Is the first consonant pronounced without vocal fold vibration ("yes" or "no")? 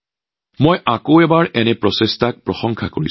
no